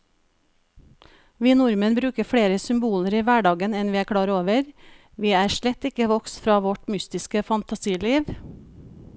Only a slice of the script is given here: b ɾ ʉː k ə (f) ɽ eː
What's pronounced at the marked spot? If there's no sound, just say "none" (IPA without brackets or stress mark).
f